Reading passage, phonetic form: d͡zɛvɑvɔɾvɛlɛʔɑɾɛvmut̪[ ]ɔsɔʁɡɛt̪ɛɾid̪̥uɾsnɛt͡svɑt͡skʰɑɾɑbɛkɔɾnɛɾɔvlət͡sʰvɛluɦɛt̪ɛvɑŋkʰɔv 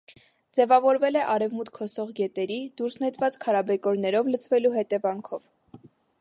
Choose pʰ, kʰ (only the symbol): kʰ